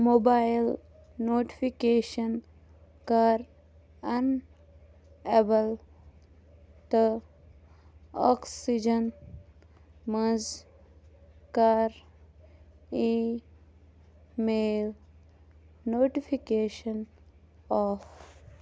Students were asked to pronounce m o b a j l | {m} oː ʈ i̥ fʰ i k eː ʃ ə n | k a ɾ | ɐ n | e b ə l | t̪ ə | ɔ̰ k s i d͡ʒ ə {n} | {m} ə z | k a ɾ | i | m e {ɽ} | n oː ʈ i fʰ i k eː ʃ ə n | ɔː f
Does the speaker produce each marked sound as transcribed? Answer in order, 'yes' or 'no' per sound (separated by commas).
no, yes, yes, no